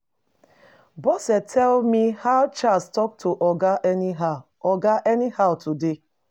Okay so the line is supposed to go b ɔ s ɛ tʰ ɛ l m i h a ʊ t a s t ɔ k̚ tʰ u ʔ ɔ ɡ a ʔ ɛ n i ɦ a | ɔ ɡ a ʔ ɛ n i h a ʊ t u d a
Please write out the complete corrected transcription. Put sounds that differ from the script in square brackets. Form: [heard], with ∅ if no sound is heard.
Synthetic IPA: b ɔ s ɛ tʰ ɛ l m i h a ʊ [t͡ʃ] a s t ɔ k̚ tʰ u ʔ ɔ ɡ a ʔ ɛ n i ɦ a | ɔ ɡ a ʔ ɛ n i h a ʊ t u d [e]